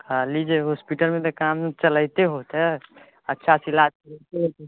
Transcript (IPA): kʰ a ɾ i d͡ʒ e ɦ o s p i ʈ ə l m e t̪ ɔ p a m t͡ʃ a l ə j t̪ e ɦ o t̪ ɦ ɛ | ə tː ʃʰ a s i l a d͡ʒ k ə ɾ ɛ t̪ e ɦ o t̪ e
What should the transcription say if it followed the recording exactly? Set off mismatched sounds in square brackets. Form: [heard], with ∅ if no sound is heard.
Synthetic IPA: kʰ a [l] i d͡ʒ e ɦ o s p i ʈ ə l m e t̪ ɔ [k] a m t͡ʃ [ə] l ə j t̪ e ɦ o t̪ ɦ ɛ | ə tː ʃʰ a s i l a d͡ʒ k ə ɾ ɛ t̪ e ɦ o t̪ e

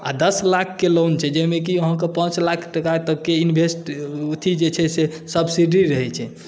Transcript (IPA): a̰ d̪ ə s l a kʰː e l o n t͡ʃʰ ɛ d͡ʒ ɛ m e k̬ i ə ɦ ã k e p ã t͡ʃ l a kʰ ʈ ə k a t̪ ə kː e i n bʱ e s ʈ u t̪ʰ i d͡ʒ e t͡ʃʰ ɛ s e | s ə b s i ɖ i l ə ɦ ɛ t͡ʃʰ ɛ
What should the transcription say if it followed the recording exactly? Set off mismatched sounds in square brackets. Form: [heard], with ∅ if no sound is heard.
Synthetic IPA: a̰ d̪ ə s l a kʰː e l o n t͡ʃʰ ɛ d͡ʒ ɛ m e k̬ i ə ɦ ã k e p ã t͡ʃ l a kʰ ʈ ə k a t̪ ə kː e i n bʱ e s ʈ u t̪ʰ i d͡ʒ e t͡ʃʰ ɛ s e | s ə b s i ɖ i [ɾ] ə ɦ ɛ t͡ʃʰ ɛ

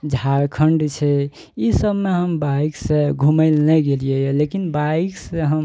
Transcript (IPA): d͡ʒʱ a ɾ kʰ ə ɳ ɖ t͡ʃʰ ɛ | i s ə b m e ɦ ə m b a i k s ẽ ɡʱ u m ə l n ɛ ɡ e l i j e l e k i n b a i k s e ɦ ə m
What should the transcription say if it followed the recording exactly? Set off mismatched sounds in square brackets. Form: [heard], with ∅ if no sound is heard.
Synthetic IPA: d͡ʒʱ a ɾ kʰ ə ɳ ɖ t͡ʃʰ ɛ | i s ə b m e ɦ ə m b a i k s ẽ ɡʱ u m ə l n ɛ ɡ e l i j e l e k i n b a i k s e ɦ ə m

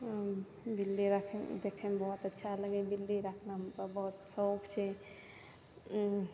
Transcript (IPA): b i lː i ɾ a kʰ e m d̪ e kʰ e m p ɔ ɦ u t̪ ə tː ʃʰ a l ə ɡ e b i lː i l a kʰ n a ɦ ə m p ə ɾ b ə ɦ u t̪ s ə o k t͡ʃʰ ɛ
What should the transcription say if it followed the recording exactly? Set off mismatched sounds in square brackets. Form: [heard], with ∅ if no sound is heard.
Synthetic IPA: b i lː i ɾ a kʰ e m d̪ e kʰ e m [b] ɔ ɦ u t̪ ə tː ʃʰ a l ə ɡ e b i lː i [ɾ] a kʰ n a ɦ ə m p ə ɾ b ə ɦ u t̪ s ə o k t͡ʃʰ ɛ

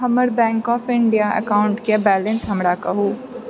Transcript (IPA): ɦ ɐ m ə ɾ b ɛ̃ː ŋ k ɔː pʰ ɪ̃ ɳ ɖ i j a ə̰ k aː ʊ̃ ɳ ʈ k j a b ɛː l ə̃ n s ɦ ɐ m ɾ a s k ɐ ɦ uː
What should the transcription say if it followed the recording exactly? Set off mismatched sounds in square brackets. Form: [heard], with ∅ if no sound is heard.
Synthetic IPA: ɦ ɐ m ə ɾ b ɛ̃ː ŋ k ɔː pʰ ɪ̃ ɳ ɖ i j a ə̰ k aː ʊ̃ ɳ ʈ k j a b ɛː l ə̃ n s ɦ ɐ m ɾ a [∅] k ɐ ɦ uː

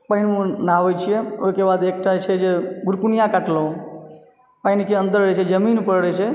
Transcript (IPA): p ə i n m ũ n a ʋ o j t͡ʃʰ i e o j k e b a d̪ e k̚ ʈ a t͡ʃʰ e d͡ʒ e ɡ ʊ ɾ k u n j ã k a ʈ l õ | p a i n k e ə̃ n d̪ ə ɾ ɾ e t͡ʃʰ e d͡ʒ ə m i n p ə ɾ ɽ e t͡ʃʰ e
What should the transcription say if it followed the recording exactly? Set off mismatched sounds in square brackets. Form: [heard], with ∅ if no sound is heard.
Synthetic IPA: p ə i n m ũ n a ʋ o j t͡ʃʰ i e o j k e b a d̪ e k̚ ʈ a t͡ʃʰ e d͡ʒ e ɡ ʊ ɾ k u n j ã k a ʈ l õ | p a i n k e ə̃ n d̪ ə ɾ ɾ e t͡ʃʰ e d͡ʒ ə m i n p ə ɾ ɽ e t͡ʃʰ e

